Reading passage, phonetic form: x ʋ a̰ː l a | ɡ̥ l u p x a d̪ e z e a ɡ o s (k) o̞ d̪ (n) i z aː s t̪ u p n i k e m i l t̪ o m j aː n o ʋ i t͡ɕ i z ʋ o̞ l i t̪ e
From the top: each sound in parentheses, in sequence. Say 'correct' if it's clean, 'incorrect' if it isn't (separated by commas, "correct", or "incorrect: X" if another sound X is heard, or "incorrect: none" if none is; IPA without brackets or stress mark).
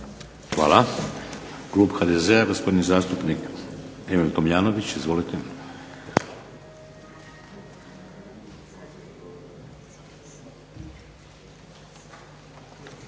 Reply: incorrect: p, correct